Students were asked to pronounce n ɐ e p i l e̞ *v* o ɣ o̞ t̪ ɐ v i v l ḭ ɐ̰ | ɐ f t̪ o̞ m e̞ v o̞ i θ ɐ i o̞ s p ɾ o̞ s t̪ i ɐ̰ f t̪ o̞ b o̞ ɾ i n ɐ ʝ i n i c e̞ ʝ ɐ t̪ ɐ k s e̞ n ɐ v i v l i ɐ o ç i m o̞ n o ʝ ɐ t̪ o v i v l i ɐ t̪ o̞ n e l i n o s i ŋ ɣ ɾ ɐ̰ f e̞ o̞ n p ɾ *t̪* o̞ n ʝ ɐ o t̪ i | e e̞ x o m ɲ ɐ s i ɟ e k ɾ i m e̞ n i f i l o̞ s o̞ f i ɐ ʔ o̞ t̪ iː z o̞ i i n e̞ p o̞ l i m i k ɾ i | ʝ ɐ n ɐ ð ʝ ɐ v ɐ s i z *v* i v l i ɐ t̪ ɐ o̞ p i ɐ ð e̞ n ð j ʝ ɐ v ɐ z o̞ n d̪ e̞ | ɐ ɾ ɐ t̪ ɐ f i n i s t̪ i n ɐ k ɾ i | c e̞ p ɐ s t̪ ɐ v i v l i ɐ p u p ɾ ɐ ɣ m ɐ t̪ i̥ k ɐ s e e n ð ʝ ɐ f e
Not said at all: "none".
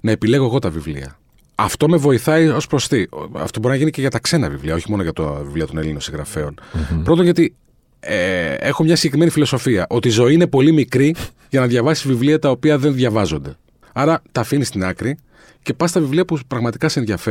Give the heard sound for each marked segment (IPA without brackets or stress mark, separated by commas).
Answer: ɣ, t̪, v